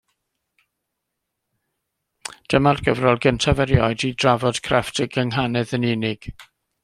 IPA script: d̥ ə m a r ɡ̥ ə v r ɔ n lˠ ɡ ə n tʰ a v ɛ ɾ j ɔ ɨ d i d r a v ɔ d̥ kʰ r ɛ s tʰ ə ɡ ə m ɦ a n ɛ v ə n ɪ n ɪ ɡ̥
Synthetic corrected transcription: d̥ ə m a r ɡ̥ ə v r ɔ lˠ ɡ ə n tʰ a v ɛ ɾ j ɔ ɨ d i d r a v ɔ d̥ kʰ r ɛ f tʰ ə ɡ ə ŋ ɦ a n ɛ ð ə n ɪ n ɪ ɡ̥